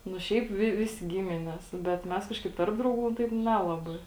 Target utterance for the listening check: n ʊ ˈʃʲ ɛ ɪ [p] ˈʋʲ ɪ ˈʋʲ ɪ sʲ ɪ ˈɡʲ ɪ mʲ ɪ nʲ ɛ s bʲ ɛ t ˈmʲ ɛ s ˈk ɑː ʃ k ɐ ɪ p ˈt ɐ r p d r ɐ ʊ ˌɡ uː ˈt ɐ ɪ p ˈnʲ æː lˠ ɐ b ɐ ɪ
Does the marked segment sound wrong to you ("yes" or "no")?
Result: no